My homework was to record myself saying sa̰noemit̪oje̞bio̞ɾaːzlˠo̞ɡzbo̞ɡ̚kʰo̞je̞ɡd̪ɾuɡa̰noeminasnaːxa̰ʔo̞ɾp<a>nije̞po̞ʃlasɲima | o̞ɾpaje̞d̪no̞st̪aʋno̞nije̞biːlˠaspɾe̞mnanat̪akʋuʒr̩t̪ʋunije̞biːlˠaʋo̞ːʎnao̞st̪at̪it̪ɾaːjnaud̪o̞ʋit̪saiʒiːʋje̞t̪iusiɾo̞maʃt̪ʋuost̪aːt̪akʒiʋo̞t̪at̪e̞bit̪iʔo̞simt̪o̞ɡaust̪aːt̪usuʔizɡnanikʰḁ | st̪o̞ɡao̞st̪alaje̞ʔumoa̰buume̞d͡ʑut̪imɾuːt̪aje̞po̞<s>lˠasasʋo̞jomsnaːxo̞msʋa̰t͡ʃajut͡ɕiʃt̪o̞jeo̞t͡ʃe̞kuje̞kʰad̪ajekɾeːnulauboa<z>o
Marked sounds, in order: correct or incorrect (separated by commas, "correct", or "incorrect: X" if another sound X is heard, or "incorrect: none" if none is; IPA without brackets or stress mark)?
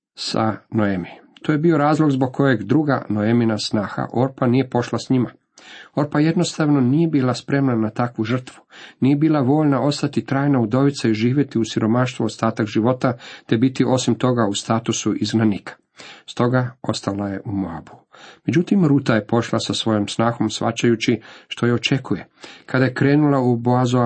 correct, incorrect: ʃ, correct